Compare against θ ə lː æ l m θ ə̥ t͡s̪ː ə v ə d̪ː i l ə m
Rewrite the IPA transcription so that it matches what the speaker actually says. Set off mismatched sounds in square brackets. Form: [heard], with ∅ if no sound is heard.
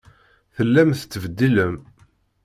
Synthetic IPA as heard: θ ə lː æ [∅] m θ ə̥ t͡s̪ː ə v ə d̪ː i l ə m